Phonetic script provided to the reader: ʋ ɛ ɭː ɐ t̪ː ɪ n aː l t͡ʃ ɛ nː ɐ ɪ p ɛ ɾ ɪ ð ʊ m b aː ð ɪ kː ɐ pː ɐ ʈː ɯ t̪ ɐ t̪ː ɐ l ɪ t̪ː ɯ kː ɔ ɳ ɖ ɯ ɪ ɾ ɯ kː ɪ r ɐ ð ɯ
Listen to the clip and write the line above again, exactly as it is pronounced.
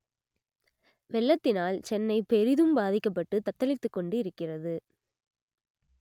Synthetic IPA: ʋ ɛ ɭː ɐ t̪ː ɪ n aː l t͡ʃ ɛ nː ɐ ɪ p ɛ ɾ ɪ ð ɯ m b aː ð ɪ kː ɐ pː ɐ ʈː ɯ t̪ ɐ t̪ː ɐ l ɪ t̪ː ɯ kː ɔ ɳ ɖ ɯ ɪ ɾ ɯ kː ɪ r ɐ ð ɯ